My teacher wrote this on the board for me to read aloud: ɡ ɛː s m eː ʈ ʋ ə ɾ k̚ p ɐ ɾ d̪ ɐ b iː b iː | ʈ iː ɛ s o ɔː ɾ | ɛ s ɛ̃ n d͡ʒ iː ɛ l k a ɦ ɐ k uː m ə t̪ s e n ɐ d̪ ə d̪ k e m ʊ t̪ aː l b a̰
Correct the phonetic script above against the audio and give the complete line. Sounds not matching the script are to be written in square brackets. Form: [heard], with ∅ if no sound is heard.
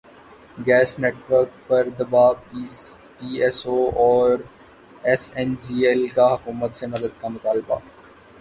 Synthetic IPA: ɡ ɛː s [n] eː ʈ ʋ ə ɾ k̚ p ɐ ɾ d̪ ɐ b [aː] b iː | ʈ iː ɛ s o ɔː ɾ | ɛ s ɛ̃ n d͡ʒ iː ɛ l k a ɦ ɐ k uː m ə t̪ s e n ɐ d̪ ə d̪ k [a] m ʊ t̪ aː l b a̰